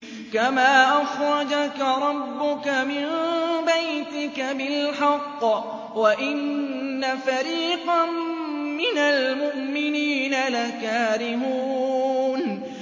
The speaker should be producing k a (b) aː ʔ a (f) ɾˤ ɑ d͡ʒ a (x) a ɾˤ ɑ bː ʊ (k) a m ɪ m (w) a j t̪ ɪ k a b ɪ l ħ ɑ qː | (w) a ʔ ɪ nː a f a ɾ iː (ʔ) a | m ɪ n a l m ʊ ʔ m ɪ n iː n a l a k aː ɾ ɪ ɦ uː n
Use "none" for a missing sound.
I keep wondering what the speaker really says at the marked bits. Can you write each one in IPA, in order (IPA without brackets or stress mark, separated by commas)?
m, x, k, k, b, w, q